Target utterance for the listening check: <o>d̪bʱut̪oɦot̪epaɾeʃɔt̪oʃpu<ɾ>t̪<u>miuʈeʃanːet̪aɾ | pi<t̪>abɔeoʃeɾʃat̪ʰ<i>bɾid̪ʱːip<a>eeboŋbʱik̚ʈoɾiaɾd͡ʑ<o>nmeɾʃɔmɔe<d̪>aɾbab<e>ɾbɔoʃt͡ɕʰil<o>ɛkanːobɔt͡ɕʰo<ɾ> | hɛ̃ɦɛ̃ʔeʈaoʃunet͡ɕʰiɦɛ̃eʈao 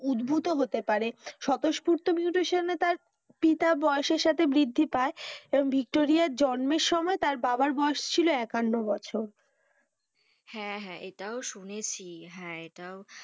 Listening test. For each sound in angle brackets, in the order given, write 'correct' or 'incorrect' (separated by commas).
incorrect, correct, incorrect, correct, incorrect, correct, incorrect, incorrect, incorrect, correct, correct